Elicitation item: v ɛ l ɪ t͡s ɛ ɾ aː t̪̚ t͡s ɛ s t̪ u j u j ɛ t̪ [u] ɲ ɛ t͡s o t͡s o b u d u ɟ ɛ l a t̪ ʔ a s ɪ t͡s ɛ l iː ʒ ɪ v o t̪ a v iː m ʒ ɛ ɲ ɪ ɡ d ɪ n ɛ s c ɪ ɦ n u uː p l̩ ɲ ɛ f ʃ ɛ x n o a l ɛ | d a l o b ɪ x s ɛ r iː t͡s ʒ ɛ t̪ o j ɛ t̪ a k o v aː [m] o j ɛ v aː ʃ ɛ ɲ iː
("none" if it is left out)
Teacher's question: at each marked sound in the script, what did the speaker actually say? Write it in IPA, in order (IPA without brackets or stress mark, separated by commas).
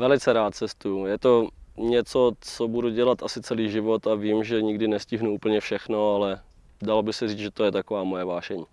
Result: o, m